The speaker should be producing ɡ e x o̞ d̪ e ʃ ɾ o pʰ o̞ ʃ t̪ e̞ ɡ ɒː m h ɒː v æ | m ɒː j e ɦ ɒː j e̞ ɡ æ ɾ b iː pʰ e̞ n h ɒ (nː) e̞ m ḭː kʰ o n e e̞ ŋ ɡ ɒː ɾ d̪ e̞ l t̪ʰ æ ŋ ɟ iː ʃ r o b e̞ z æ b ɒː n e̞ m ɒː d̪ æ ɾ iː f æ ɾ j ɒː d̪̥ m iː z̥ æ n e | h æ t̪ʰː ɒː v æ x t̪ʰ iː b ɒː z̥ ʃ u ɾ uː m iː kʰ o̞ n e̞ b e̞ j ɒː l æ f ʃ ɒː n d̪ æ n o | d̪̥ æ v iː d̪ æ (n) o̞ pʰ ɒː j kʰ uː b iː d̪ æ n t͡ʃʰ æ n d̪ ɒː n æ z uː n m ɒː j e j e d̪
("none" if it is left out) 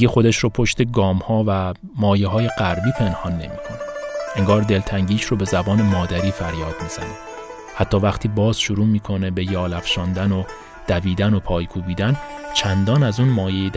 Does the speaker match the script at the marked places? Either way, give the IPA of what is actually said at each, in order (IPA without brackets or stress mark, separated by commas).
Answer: nː, n